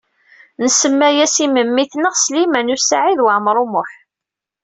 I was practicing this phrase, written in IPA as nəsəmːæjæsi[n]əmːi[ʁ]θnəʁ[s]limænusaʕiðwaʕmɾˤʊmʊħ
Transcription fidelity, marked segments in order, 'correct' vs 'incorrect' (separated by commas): incorrect, incorrect, correct